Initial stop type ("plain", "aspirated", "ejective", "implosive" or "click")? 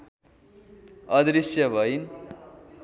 plain